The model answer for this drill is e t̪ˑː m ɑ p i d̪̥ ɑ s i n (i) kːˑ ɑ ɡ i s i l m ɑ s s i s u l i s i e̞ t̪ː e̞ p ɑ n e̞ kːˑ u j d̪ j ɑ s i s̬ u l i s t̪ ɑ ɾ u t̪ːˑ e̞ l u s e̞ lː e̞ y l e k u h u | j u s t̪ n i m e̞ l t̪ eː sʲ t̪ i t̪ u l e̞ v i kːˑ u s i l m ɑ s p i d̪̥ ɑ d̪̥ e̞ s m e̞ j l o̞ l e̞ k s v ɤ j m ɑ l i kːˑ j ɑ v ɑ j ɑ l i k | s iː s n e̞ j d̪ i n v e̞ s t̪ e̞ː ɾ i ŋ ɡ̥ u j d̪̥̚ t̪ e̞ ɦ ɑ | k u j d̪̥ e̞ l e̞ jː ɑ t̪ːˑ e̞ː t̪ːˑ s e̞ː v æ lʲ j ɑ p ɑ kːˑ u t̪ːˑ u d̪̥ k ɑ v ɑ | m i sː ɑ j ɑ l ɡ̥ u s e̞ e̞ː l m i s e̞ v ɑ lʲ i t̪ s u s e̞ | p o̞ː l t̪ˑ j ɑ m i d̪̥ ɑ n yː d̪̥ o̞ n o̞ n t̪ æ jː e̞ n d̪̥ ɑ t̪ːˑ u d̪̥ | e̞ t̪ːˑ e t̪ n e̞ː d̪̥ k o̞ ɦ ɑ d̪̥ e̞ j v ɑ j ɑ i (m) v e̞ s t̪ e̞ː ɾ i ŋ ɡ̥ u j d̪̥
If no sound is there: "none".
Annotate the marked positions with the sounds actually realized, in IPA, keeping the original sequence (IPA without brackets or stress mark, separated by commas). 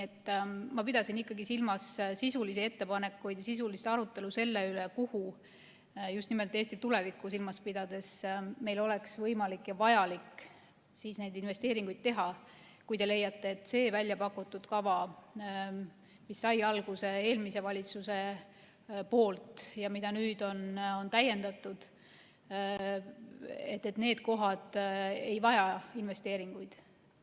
i, n